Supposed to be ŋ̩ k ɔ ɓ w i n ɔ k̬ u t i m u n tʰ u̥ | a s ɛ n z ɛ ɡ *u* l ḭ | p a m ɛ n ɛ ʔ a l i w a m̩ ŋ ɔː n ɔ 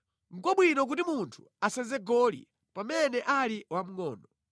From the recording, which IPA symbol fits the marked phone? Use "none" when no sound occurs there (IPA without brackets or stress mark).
ɔ